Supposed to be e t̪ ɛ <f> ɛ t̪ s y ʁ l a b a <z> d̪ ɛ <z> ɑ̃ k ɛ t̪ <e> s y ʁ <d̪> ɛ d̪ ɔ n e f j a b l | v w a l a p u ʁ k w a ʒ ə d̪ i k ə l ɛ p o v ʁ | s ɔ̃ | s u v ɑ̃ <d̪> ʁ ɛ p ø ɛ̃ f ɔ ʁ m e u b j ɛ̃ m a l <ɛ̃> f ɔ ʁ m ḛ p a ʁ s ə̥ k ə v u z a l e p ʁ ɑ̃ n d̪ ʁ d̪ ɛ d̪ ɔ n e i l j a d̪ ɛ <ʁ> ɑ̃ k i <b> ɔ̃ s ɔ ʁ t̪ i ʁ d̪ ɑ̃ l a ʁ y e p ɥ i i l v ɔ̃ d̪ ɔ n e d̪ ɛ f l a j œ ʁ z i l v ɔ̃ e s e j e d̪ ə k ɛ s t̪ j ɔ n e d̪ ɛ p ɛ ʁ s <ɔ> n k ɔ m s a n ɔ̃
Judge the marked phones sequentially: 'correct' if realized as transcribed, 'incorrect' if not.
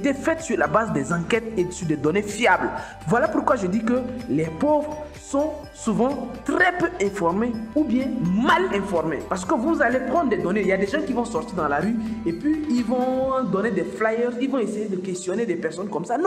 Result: correct, correct, correct, correct, correct, incorrect, correct, incorrect, incorrect, correct

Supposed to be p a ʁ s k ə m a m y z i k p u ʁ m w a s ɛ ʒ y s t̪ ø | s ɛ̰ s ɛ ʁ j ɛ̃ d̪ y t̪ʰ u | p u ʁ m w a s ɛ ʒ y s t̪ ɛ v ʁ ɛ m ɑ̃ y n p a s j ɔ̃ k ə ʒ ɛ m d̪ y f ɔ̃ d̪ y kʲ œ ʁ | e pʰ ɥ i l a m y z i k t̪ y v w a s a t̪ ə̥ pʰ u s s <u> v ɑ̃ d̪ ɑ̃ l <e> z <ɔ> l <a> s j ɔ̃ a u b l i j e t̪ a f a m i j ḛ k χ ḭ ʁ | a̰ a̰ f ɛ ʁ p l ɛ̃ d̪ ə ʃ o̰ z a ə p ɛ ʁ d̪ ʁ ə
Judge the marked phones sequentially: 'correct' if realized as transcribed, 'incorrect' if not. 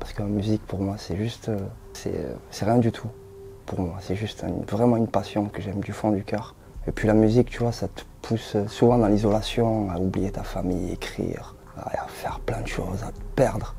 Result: correct, incorrect, correct, correct

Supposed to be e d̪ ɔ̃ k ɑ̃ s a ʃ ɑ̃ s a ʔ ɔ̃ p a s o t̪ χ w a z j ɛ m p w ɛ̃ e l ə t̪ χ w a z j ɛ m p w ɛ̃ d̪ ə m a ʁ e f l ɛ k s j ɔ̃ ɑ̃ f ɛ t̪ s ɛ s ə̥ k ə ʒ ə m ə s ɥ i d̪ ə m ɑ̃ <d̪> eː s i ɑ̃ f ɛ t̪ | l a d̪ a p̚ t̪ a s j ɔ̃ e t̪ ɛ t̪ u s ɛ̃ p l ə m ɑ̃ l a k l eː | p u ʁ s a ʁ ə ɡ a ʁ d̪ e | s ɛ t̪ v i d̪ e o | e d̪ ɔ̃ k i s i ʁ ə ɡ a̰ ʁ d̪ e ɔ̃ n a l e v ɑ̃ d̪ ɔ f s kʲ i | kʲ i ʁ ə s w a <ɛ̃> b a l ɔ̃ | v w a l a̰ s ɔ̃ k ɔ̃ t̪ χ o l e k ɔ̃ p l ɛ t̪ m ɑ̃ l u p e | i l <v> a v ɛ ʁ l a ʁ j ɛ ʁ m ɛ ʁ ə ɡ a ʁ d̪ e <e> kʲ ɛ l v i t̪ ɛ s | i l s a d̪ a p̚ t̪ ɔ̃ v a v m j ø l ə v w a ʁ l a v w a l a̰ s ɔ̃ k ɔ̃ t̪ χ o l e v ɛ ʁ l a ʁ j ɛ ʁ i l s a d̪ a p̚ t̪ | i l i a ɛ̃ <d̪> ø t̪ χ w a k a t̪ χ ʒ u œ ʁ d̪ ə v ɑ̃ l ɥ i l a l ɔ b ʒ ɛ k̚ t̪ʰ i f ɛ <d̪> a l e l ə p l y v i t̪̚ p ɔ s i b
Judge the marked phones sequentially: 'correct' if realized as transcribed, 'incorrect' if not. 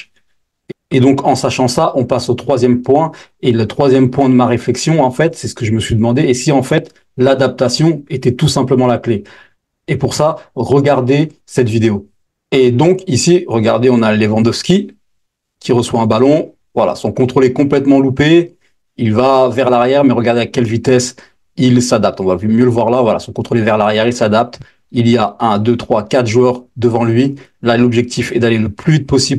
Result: correct, correct, correct, incorrect, correct, correct

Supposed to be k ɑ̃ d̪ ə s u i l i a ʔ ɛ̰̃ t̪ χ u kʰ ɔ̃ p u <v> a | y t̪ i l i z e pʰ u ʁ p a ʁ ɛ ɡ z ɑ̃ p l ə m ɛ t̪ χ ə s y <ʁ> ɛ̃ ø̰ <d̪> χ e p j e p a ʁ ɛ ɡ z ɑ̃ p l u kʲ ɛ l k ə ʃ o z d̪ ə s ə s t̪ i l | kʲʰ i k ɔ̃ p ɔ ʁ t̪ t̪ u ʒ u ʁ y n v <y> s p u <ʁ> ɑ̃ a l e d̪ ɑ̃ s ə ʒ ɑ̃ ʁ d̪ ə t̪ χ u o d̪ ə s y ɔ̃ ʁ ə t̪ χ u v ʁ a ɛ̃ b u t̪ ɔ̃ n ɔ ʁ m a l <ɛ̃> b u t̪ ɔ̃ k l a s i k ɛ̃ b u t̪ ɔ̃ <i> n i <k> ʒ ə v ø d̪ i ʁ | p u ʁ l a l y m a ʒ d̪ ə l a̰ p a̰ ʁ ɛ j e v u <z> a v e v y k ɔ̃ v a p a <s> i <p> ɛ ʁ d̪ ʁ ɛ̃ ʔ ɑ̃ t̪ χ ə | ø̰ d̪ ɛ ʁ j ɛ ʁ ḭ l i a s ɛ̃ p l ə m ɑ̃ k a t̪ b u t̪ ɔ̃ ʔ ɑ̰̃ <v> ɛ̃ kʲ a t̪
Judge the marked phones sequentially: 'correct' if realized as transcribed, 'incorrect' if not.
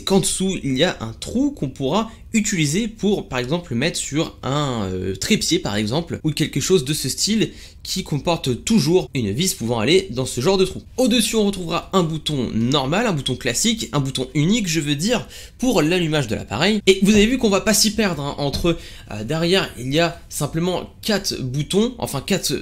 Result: incorrect, correct, incorrect, incorrect, incorrect, correct, incorrect, correct, correct, correct, correct, incorrect

